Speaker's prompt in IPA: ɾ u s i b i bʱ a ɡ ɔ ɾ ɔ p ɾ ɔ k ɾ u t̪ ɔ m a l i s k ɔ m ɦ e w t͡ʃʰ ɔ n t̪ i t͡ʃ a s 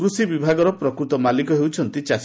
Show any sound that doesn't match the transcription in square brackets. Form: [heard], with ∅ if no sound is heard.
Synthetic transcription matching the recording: ɾ u s i b i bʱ a ɡ ɔ ɾ ɔ p ɾ ɔ k ɾ u t̪ ɔ m a l i [∅] k ɔ [∅] ɦ e w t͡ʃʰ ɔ n t̪ i t͡ʃ a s